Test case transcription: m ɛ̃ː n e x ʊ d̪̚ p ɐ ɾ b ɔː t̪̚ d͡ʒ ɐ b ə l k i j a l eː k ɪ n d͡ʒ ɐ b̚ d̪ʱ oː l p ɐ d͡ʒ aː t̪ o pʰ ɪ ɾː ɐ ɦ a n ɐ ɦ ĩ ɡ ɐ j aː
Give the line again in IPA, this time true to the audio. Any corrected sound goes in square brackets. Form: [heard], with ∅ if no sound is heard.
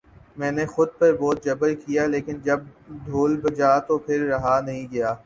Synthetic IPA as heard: m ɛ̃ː n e x ʊ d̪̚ p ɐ ɾ b ɔː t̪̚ d͡ʒ ɐ b ə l k i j a l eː k ɪ n d͡ʒ ɐ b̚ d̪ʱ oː l [b] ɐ d͡ʒ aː t̪ o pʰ ɪ ɾː ɐ ɦ a n ɐ ɦ ĩ ɡ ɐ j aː